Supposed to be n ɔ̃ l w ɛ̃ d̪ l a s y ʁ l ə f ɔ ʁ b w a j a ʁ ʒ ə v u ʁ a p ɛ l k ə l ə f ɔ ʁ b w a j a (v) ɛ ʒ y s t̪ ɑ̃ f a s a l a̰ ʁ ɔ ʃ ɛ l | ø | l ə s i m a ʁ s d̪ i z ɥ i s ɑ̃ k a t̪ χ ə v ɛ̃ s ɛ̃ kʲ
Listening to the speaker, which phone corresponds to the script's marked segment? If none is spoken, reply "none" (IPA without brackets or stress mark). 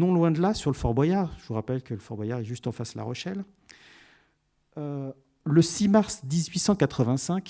ʁ